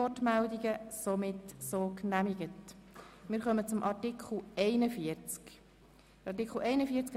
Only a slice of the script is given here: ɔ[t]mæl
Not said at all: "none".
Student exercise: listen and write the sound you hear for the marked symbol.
t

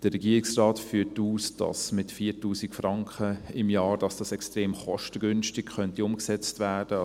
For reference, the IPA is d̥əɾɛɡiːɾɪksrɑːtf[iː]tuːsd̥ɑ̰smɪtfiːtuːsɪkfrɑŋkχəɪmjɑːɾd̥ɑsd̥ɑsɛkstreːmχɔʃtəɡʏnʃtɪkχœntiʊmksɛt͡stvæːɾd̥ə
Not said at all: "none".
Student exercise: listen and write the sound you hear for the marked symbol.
yː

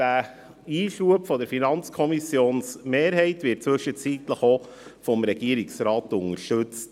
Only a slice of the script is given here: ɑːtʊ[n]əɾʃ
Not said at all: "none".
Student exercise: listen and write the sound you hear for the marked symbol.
ŋ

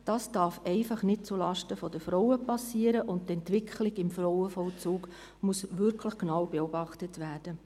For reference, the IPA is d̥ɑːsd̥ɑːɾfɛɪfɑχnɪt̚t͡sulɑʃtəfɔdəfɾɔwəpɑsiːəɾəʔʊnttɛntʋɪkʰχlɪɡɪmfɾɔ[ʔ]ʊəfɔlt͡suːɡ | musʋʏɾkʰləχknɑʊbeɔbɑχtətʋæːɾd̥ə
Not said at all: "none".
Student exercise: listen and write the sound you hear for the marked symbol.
none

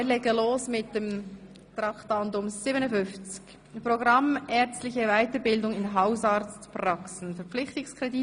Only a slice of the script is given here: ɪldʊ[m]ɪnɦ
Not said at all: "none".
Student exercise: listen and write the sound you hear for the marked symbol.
ŋ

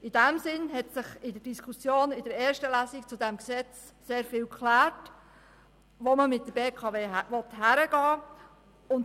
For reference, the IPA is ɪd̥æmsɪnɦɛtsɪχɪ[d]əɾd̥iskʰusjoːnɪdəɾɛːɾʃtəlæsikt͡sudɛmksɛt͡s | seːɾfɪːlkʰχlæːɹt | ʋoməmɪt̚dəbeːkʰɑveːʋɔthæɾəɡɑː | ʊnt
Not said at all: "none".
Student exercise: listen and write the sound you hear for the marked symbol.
d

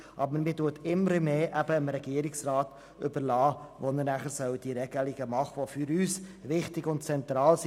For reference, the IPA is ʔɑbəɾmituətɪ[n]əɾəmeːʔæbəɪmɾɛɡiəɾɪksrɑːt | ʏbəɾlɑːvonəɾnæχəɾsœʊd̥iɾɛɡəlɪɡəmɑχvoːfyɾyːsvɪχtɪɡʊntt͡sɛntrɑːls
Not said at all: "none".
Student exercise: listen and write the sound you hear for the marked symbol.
m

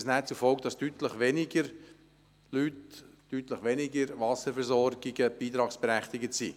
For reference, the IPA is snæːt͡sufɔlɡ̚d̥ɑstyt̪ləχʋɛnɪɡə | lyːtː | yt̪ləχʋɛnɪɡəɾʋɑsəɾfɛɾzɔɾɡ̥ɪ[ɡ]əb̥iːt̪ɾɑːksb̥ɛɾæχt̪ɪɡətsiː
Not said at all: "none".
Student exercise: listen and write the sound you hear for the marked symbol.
ɡ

